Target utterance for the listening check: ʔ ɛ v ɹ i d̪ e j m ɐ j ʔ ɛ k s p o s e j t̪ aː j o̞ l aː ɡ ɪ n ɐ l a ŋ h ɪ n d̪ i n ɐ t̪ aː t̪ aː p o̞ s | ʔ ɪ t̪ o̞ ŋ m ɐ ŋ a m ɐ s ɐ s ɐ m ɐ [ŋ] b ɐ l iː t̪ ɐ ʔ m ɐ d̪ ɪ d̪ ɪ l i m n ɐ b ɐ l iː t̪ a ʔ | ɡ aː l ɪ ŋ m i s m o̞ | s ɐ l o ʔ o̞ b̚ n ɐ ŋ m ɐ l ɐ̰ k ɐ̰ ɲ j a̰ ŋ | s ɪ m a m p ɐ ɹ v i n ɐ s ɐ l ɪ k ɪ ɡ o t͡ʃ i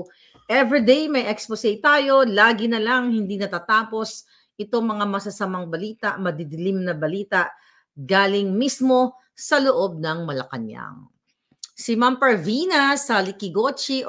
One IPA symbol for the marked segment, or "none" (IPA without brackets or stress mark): ŋ